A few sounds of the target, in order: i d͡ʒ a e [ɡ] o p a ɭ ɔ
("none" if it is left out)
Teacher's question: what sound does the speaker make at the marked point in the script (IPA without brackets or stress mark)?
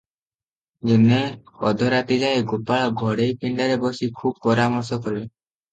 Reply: ɡ